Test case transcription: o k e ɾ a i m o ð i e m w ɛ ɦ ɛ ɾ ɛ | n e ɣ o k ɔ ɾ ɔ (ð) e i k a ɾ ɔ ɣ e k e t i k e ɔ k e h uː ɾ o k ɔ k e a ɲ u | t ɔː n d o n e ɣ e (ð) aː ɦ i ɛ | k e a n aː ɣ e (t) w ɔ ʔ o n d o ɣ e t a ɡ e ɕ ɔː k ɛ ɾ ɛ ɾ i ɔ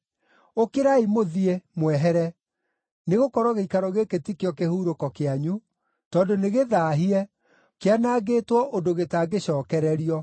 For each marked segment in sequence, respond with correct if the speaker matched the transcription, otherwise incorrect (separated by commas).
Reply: incorrect, correct, correct